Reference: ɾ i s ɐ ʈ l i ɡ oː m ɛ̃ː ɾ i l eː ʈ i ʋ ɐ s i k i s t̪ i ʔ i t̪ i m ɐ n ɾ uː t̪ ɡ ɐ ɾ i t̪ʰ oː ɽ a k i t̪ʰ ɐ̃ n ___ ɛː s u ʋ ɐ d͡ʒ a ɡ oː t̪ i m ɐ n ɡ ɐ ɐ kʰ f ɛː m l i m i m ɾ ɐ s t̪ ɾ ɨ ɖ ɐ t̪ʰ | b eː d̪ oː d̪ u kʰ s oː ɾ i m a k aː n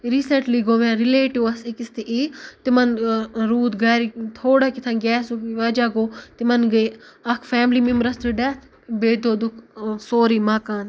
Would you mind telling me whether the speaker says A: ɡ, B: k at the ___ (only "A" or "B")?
A